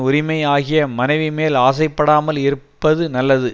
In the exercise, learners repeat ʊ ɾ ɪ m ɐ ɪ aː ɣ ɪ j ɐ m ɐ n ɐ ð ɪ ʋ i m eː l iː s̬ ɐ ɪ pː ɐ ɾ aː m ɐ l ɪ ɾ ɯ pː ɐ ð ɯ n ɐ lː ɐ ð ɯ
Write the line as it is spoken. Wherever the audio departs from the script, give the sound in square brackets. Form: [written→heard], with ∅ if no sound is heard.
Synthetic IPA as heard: ʊ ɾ ɪ m ɐ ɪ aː ɣ ɪ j ɐ m ɐ n ɐ [ð→∅] ɪ ʋ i m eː l [iː→aː] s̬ ɐ ɪ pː ɐ [ɾ→ɽ] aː m ɐ l ɪ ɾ ɯ pː ɐ ð ɯ n ɐ lː ɐ ð ɯ